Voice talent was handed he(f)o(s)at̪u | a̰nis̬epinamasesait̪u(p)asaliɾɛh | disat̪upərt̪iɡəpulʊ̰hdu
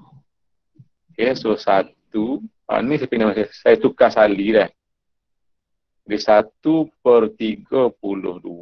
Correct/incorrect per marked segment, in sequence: incorrect: s, correct, incorrect: k

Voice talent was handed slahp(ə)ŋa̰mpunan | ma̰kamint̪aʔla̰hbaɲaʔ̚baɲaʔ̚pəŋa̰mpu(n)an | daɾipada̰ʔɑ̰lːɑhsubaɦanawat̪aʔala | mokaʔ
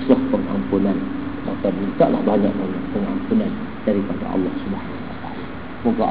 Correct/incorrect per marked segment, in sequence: correct, correct

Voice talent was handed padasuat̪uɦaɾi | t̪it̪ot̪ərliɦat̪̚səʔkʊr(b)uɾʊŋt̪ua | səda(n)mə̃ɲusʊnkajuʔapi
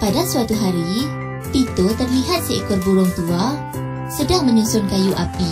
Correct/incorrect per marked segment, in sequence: correct, incorrect: ŋ

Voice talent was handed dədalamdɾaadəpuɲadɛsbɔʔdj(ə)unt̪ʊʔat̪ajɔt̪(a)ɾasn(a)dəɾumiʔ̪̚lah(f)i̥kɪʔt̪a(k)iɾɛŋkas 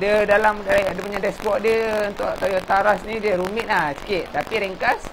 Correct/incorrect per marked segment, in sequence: correct, correct, incorrect: i, incorrect: s, incorrect: p

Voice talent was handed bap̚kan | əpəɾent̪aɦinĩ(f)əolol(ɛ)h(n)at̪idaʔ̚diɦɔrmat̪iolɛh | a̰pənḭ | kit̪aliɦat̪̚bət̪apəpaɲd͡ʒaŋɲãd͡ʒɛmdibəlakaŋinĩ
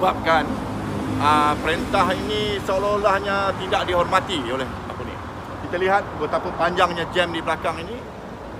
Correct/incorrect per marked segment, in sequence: incorrect: s, incorrect: a, incorrect: ɲ

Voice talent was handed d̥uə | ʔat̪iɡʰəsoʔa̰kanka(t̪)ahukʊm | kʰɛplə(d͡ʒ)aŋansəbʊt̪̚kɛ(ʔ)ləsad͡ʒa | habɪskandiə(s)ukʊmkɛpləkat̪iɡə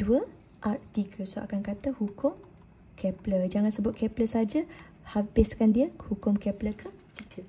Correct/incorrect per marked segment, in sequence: correct, correct, incorrect: p, incorrect: h

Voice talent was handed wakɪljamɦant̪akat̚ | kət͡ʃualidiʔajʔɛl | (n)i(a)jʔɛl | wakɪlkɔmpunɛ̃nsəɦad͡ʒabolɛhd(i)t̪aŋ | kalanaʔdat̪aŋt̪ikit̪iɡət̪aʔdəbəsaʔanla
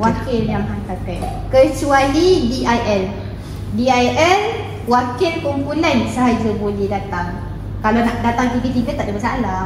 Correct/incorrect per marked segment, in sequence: incorrect: d, correct, incorrect: a

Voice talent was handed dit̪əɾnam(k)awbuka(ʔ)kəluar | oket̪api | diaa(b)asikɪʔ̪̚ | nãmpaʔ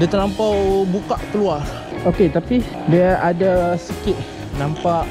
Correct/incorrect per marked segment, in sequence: incorrect: p, correct, incorrect: d

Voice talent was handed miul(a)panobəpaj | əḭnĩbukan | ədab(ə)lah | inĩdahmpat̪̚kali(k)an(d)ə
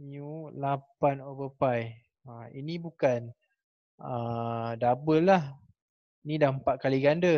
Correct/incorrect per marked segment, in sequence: correct, correct, incorrect: ɡ, correct

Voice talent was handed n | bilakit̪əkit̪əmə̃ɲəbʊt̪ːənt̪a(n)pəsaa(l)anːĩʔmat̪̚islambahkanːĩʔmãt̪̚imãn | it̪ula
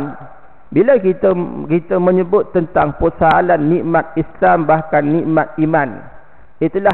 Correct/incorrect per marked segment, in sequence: incorrect: ŋ, correct

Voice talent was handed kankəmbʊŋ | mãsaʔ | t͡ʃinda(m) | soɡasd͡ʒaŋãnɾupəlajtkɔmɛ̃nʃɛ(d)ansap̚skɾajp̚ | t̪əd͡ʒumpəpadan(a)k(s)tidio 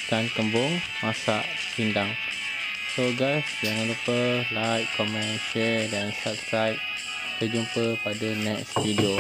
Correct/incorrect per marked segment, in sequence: incorrect: ŋ, correct, incorrect: ɛ, correct

